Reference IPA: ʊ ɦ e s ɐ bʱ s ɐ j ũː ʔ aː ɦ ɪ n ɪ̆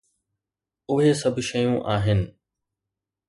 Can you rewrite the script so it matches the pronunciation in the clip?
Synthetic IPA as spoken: ʊ ɦ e s ɐ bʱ ʃ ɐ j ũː ʔ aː ɦ ɪ n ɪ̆